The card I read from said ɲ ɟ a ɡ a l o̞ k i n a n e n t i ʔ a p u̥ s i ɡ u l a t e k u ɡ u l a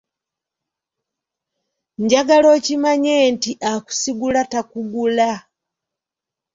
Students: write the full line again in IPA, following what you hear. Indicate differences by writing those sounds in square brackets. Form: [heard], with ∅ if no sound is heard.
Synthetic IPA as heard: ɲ ɟ a ɡ a l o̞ [c] i [m] a [ɲ] e n t i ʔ a [k] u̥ s i ɡ u l a t [a] k u ɡ u l a